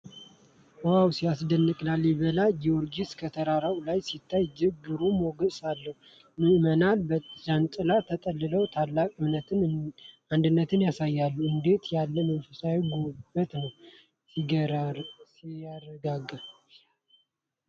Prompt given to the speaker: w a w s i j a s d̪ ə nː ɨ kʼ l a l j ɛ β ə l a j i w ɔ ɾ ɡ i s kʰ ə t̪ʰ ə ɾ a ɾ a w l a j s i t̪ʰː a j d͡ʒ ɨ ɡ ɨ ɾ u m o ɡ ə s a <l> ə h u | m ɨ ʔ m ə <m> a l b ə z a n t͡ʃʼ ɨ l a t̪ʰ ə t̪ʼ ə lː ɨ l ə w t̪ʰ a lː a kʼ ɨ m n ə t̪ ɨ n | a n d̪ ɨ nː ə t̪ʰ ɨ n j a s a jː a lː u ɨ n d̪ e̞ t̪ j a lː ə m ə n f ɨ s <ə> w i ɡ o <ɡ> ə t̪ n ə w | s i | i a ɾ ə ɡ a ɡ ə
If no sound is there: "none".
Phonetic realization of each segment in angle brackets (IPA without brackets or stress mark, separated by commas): lː, n, a, b